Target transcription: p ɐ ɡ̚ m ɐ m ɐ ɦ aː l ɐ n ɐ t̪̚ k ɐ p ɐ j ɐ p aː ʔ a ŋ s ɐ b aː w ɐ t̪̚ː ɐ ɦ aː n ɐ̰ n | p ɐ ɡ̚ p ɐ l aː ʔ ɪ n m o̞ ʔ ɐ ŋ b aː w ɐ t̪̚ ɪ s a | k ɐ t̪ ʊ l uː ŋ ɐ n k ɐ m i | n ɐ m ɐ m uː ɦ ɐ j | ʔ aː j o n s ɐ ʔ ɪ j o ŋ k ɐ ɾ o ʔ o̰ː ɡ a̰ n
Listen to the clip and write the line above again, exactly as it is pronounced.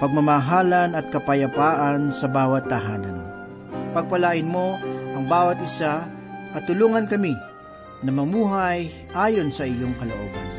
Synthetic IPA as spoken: p ɐ ɡ̚ m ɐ m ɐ ɦ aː l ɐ n ɐ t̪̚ k ɐ p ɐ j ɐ p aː ʔ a n s ɐ b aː w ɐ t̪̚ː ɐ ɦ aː n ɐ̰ n | p ɐ ɡ̚ p ɐ l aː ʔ ɪ n m o̞ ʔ ɐ ŋ b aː w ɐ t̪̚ ɪ s a | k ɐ t̪ ʊ l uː ŋ ɐ n k ɐ m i | n ɐ m ɐ m uː ɦ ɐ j | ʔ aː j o n s ɐ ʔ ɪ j o ŋ k ɐ l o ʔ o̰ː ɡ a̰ n